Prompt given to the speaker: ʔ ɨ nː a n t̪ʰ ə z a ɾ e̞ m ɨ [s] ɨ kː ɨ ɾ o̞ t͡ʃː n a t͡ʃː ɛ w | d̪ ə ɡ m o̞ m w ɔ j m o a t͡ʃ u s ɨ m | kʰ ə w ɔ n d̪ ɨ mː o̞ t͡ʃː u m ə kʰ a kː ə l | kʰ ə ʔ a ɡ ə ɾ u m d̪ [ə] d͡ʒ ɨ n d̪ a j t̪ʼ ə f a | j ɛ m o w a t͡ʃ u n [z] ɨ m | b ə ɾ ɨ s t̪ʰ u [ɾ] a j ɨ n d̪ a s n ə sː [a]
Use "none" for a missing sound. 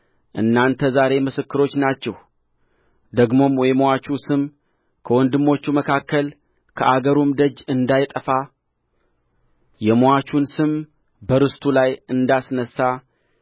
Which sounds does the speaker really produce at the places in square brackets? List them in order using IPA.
s, ə, s, l, a

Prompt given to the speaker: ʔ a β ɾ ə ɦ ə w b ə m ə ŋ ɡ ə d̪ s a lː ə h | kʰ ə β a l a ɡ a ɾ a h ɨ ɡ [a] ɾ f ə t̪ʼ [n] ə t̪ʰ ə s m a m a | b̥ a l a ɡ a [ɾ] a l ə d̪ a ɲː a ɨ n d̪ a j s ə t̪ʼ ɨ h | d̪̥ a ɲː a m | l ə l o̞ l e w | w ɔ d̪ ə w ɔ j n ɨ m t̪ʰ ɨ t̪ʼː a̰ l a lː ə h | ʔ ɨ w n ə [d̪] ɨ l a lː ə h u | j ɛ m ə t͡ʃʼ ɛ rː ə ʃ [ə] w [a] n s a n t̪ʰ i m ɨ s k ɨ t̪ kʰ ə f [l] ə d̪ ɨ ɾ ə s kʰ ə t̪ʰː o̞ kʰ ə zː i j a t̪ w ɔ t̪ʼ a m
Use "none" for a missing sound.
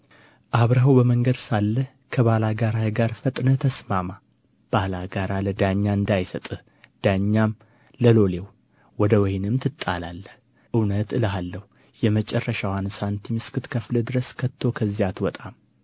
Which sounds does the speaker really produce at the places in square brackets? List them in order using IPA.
a, n, ɾ, t̪, a, a, l

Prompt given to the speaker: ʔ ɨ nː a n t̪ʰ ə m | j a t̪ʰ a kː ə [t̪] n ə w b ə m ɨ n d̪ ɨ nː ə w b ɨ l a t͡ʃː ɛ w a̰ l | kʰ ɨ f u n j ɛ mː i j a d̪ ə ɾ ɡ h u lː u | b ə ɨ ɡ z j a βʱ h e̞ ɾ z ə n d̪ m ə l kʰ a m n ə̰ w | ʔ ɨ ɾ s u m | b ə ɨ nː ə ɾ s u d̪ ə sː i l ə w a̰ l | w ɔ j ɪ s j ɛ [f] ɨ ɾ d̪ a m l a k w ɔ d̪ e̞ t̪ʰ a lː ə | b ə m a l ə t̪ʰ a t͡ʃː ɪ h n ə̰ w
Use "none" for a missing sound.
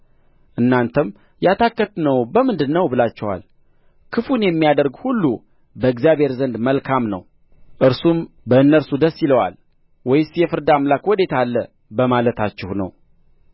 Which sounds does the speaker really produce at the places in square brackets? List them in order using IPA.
t̪, f

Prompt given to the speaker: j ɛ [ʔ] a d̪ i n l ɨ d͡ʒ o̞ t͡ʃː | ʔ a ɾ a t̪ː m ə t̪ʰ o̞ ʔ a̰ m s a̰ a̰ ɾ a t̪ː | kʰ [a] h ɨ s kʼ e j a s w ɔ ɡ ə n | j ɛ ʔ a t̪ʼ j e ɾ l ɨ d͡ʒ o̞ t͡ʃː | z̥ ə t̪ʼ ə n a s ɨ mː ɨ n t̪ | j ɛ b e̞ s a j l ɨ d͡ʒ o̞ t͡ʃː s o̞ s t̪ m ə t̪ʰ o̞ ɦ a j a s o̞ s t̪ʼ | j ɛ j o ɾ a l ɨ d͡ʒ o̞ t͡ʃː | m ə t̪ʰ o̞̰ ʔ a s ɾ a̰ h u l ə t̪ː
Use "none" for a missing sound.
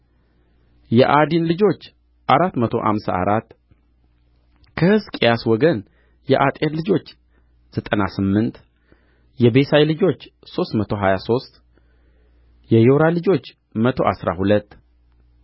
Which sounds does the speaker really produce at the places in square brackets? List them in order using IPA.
ʔ, ə

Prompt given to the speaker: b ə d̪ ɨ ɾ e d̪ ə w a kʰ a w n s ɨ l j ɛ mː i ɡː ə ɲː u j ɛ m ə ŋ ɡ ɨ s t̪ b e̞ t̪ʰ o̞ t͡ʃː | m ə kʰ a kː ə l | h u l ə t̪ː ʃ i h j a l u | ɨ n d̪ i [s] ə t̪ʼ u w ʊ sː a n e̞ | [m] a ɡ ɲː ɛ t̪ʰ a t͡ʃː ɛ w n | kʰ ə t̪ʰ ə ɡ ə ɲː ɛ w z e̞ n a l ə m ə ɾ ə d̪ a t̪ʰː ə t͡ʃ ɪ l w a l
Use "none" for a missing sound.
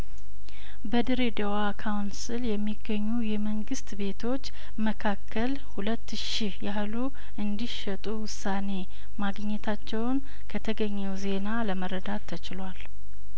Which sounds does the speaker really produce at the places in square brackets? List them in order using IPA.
ʃ, m

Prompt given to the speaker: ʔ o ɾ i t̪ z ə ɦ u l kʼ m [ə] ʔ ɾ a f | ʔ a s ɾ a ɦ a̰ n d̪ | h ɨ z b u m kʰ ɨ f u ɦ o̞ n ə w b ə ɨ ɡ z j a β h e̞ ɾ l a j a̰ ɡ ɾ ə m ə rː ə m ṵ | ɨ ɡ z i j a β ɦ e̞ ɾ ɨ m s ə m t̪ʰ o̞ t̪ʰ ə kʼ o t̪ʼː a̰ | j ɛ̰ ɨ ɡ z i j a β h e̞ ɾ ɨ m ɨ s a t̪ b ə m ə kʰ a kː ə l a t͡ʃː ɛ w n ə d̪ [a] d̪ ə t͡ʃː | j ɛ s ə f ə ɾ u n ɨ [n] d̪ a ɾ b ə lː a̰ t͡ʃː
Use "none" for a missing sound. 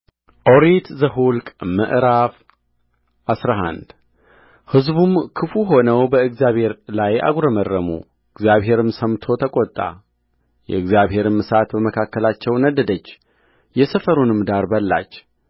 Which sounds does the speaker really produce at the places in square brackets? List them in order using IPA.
ə, ə, m

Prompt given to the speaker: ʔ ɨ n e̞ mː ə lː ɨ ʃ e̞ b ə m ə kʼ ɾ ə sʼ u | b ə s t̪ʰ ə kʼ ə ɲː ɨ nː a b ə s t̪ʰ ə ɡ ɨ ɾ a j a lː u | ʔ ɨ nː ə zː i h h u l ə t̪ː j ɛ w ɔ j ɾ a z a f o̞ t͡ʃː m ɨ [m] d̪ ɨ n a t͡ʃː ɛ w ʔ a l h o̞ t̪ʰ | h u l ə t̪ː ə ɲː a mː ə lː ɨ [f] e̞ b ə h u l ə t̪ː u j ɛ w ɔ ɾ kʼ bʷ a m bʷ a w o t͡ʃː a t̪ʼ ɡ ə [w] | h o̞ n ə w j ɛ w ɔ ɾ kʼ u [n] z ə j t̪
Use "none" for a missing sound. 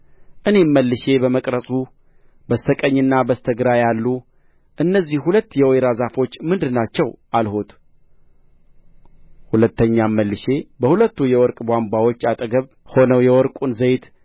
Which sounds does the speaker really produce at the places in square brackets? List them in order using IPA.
n, ʃ, β, n

